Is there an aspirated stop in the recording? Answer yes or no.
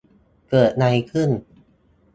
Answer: yes